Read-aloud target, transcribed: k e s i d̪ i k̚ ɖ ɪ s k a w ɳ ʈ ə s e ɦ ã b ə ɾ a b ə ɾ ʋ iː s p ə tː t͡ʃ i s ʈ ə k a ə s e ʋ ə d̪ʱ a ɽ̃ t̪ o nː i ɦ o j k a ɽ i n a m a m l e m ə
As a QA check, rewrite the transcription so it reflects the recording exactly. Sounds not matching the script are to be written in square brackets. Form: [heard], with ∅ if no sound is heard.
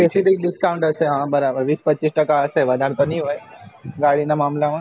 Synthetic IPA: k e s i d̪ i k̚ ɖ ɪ s k a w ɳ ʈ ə s e ɦ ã b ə ɾ a b ə ɾ ʋ iː s p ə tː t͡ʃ i s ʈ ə k a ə s e ʋ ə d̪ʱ a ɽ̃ t̪ o [n] i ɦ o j [ɡ] a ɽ i n a m a m l [a] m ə